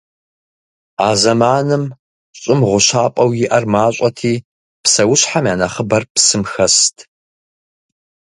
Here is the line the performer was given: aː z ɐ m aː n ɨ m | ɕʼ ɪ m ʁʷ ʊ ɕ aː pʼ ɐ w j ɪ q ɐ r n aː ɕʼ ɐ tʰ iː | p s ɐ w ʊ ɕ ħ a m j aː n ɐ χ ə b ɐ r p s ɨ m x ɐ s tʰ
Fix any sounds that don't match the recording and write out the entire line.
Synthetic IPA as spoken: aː z ɐ m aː n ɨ m | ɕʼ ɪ m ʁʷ ʊ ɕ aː pʼ ɐ w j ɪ ʔ ɐ r m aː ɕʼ ɐ tʰ iː | p s ɐ w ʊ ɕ ħ a m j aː n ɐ χ ə b ɐ r p s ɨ m x ɐ s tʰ